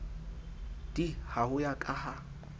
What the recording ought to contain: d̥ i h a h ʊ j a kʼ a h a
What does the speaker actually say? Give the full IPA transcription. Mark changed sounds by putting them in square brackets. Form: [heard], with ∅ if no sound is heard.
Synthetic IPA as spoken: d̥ i h a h ʊ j a kʼ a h a